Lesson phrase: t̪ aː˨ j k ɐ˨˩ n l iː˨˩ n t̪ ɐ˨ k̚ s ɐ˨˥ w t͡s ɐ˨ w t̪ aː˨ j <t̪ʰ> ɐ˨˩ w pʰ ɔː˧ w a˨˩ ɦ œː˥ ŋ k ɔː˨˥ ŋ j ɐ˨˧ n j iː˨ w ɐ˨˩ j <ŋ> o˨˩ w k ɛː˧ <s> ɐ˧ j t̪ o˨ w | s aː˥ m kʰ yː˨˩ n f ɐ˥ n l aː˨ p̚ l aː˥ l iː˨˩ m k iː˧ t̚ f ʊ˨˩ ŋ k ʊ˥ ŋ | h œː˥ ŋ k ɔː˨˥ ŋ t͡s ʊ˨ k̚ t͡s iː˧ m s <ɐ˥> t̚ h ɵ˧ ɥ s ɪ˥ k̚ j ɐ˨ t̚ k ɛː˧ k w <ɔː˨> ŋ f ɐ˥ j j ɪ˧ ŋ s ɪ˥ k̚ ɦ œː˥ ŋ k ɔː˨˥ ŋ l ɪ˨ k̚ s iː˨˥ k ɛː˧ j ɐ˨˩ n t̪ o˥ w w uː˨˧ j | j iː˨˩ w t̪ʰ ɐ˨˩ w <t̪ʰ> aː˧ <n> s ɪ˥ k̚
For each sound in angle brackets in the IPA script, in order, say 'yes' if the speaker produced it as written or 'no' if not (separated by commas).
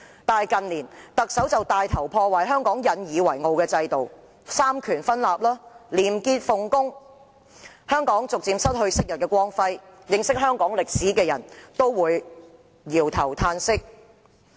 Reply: yes, yes, no, yes, no, yes, yes